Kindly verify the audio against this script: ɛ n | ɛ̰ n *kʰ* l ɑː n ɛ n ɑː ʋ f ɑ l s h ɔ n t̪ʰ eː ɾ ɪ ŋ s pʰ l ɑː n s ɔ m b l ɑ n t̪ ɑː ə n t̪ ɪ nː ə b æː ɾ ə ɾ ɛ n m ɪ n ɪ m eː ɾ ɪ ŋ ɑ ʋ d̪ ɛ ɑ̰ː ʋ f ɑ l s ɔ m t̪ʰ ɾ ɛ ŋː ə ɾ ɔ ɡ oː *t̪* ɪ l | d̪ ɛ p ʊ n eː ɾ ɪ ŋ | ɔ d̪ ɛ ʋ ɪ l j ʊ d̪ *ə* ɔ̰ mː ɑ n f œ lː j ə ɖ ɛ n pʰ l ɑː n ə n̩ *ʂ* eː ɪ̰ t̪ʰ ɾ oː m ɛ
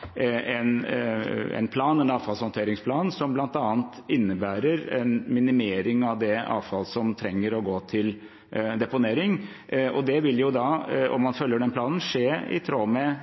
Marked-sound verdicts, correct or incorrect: incorrect, incorrect, incorrect, correct

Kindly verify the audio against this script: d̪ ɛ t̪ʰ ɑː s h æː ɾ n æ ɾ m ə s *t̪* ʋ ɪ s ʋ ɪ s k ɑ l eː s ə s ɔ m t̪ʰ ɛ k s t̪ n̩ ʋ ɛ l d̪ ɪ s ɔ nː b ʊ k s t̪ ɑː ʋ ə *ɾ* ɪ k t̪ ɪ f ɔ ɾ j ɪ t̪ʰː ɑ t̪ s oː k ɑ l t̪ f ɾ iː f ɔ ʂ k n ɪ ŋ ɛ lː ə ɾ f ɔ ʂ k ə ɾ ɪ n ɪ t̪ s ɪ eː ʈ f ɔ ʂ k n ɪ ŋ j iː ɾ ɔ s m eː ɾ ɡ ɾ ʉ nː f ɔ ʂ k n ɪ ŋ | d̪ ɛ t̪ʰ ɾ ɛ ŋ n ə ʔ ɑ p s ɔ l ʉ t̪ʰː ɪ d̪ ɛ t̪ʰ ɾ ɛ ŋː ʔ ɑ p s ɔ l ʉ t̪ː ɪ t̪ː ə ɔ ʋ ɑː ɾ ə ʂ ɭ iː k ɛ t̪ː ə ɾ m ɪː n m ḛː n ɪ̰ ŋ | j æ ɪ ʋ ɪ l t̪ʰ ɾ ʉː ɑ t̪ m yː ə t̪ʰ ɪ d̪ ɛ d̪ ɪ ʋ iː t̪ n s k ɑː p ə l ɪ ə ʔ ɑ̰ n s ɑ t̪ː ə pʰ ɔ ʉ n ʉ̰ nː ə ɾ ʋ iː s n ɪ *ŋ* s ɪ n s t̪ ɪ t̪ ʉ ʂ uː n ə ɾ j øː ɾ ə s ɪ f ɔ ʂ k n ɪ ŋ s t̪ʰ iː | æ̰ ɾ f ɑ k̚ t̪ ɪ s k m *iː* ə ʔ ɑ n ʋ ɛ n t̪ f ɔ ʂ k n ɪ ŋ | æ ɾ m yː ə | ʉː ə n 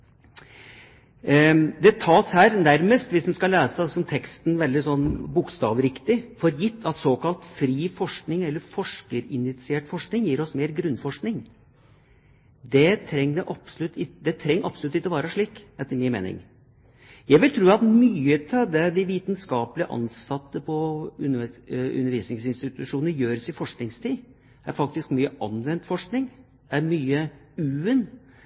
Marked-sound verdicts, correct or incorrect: correct, correct, correct, incorrect

